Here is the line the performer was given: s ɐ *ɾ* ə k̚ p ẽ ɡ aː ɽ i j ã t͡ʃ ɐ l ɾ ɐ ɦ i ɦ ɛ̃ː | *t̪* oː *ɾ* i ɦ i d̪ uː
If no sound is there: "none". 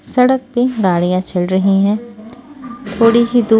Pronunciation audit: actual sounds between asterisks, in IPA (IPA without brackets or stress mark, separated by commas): ɽ, t̪ʰ, ɽ